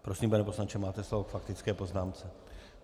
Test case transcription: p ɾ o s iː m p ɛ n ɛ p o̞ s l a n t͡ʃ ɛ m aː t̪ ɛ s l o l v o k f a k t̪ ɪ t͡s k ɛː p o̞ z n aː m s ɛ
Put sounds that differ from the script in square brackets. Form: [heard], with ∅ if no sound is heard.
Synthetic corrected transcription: p ɾ o s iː m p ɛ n ɛ p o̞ s l a n t͡ʃ ɛ m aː t̪ ɛ s l o [∅] v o k f a k t̪ ɪ t͡s k ɛː p o̞ z n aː m [t͡s] ɛ